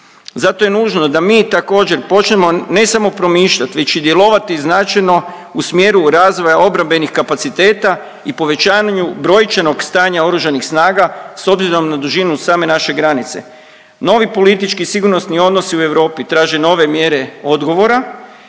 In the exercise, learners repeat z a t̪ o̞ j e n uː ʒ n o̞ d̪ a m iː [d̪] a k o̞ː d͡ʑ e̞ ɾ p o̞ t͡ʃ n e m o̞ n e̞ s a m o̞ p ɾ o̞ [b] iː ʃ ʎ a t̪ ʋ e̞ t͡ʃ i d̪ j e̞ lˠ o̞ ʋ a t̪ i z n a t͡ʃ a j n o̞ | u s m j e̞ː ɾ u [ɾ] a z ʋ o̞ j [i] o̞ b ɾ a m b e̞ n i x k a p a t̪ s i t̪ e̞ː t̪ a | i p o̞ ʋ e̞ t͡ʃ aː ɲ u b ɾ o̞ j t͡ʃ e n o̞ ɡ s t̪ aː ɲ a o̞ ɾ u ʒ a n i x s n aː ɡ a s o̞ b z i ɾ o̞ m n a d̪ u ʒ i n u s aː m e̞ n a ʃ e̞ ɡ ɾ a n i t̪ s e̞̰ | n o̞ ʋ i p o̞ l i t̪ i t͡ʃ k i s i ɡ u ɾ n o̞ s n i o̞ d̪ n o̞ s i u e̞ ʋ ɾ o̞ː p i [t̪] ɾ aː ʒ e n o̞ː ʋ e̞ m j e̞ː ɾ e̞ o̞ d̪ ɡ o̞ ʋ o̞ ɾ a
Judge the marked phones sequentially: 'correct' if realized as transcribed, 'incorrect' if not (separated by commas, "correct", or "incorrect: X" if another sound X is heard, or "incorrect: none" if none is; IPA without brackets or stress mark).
incorrect: t̪, incorrect: m, correct, incorrect: a, correct